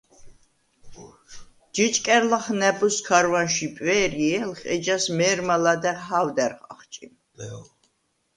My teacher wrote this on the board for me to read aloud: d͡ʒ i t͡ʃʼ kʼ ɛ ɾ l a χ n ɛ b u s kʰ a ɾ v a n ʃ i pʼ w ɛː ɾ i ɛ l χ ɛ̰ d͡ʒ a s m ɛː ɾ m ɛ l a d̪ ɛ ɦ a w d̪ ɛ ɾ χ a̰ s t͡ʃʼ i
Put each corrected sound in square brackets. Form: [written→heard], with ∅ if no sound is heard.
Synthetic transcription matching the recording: d͡ʒ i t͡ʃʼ kʼ ɛ ɾ l a χ n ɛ b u s kʰ a ɾ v a n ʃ i pʼ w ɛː ɾ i ɛ l χ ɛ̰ d͡ʒ a s m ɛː ɾ m [ɛ→a] l a d̪ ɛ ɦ a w d̪ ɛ ɾ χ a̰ [s→χ] t͡ʃʼ i

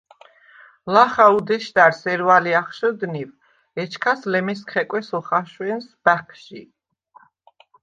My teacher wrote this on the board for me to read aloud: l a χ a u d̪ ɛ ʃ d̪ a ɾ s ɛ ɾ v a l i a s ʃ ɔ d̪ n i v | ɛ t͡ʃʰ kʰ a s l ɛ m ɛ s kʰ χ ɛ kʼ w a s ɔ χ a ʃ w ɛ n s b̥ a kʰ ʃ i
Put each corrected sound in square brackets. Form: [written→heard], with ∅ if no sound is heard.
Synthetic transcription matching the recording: l a χ a u d̪ ɛ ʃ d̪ a ɾ s ɛ ɾ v a l i a [s→χ] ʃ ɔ d̪ n i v | ɛ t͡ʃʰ kʰ a s l ɛ m ɛ s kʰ χ ɛ kʼ w [a→ɛ] s ɔ χ a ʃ w ɛ n s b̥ a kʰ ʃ i

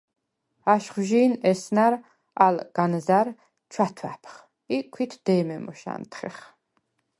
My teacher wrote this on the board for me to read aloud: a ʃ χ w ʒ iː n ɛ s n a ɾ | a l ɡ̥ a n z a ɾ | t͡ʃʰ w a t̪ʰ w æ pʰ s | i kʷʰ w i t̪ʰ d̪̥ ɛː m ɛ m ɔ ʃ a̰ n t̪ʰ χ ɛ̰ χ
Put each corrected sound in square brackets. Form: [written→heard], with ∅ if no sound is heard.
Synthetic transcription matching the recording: a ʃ χ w ʒ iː n ɛ s n a ɾ | a l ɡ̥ a n z a ɾ | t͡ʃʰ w a t̪ʰ w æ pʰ [s→χ] | i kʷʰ w i t̪ʰ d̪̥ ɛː m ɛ m ɔ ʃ a̰ n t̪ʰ χ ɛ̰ χ

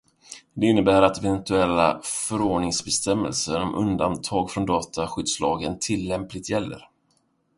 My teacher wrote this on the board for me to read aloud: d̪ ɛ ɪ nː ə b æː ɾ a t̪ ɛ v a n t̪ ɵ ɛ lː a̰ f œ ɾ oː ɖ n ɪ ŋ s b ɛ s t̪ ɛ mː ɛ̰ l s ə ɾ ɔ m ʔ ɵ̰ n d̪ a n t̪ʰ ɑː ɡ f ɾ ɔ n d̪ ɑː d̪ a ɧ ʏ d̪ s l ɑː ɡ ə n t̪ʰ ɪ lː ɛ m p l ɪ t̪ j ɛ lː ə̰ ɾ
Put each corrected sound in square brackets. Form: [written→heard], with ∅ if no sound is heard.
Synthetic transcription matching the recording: d̪ ɛ ɪ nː ə b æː ɾ a t̪ ɛ v [a→ɛ] n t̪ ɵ ɛ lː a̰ f œ ɾ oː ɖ [n→ɳ] ɪ ŋ s b ɛ s t̪ ɛ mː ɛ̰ l s ə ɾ ɔ m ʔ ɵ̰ n d̪ a n t̪ʰ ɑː ɡ f ɾ ɔ n d̪ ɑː [d̪→t̪] a ɧ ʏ d̪ s l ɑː ɡ ə n t̪ʰ ɪ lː ɛ m p l ɪ t̪ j ɛ lː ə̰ ɾ

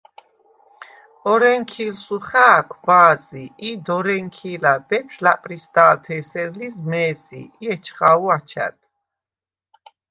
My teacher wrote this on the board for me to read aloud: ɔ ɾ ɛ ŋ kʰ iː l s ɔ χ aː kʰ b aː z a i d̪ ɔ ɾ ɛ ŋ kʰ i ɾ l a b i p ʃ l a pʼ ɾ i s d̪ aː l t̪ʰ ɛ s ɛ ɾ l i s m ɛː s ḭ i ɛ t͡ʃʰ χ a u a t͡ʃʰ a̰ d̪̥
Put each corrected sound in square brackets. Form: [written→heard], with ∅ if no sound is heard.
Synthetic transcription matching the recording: ɔ ɾ ɛ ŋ kʰ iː l s [ɔ→u] χ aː kʰ b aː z [a→i] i d̪ ɔ ɾ ɛ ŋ kʰ i [ɾ→∅] l a b [i→ɛ] p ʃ l a pʼ ɾ i s d̪ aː l t̪ʰ ɛ s ɛ ɾ l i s m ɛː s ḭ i ɛ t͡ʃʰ χ a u a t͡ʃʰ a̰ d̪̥

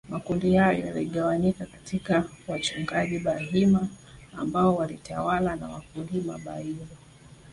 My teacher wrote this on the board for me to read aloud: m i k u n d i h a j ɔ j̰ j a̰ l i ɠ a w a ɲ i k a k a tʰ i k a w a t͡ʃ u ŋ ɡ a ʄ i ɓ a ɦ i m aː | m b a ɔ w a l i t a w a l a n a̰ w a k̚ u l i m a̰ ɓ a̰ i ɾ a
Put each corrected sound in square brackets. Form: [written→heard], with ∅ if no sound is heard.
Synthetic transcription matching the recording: m [i→a] k u n d i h a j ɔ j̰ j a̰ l i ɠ a w a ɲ i k a k a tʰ i k a w a t͡ʃ u ŋ ɡ a ʄ i ɓ a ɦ i m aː | m b a ɔ w a l i t a w a l a n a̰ w a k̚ u l i m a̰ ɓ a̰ i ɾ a

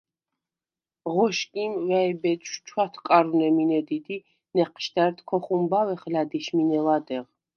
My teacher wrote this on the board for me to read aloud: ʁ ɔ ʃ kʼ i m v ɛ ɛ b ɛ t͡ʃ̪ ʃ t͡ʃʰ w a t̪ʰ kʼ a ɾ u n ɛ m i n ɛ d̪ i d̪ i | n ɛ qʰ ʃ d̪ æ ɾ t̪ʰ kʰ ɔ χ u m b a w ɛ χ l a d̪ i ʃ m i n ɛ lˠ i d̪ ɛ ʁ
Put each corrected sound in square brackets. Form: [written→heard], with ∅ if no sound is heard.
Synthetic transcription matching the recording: ʁ ɔ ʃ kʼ i m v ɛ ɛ b ɛ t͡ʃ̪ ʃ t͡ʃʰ w a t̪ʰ kʼ a ɾ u n ɛ m i n ɛ d̪ i d̪ i | n ɛ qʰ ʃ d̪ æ ɾ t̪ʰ kʰ ɔ χ u m b a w ɛ χ l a d̪ i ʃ m i n ɛ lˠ [i→a] d̪ ɛ ʁ

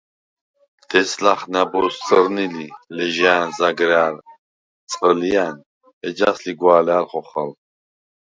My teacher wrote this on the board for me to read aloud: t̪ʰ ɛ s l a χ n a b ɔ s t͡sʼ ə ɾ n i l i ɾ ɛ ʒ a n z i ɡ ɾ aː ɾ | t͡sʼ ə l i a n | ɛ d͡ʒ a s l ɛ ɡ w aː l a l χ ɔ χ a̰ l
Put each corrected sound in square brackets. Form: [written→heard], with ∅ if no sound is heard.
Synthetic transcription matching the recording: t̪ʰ ɛ s l a χ n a b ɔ s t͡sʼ ə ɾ n i l i [ɾ→l] ɛ ʒ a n z [i→a] ɡ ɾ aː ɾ | t͡sʼ ə l i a n | ɛ d͡ʒ a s l [ɛ→i] ɡ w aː l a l χ ɔ χ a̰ l

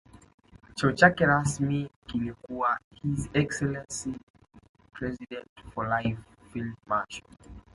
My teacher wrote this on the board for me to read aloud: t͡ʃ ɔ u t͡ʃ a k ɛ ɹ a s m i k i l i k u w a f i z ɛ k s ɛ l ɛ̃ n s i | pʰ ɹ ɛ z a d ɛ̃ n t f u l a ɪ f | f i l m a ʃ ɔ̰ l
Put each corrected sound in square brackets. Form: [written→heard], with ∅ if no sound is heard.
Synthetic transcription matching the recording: t͡ʃ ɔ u t͡ʃ a k ɛ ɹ a s m i k i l i k u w a [f→h] i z ɛ k s ɛ l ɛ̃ n s i | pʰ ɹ ɛ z [a→i] d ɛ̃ n t f [u→ɔ] l a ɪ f | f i l m a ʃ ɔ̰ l

